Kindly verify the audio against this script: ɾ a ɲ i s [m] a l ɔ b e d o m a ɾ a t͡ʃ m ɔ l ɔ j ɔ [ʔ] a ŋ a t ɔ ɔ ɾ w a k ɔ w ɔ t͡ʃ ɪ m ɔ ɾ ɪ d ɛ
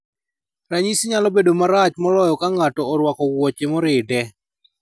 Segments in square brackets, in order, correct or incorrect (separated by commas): incorrect, incorrect